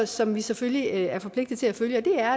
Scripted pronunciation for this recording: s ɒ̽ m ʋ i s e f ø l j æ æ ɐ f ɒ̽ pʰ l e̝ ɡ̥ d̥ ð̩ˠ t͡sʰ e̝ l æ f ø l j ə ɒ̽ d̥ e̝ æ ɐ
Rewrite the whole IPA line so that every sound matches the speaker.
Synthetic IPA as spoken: s ɒ̽ m ʋ i s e f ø l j i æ ɐ f ɒ̽ pʰ l e̝ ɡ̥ d̥ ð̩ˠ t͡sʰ e̝ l æ f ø l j ə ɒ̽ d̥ e̝ æ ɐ